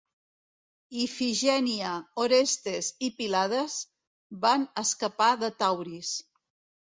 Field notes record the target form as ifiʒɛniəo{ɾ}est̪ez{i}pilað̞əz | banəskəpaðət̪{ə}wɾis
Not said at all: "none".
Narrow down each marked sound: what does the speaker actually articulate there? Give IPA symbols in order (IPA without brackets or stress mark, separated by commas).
ɾ, i, a